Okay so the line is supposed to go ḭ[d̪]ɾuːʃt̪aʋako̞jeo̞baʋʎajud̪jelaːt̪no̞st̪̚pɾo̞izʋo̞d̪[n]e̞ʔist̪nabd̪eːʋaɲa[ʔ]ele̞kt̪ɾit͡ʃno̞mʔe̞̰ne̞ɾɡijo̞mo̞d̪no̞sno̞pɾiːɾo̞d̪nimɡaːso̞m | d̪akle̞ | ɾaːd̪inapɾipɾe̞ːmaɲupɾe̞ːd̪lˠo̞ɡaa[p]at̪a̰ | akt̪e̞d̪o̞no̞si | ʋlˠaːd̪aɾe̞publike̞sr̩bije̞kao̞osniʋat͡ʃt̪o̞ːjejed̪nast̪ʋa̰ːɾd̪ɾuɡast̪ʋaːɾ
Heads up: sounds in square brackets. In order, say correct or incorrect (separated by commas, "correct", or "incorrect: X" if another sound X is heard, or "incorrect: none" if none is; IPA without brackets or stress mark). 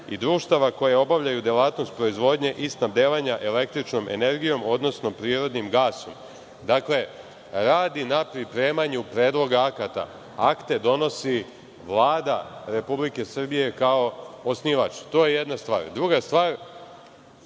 correct, incorrect: ɲ, correct, incorrect: k